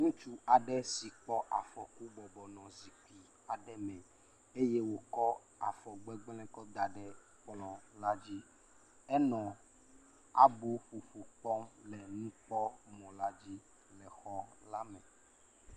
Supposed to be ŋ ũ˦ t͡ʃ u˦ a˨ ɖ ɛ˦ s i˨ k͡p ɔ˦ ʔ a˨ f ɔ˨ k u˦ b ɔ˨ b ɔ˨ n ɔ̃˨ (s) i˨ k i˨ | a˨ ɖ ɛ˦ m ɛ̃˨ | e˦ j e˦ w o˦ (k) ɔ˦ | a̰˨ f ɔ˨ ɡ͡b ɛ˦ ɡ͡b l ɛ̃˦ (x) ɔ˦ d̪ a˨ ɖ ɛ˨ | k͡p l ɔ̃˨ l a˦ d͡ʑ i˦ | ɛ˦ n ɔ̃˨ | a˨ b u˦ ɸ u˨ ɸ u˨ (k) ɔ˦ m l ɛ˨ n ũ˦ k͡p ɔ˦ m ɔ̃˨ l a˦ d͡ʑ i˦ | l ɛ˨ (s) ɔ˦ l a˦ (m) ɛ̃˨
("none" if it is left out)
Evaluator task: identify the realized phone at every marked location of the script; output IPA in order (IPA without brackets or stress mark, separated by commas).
z, k, k, k͡p, x, m